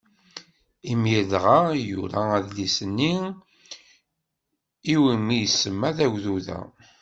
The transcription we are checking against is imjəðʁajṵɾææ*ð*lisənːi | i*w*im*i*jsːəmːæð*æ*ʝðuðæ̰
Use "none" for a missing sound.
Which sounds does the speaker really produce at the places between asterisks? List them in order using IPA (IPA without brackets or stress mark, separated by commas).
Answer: ð, w, i, æ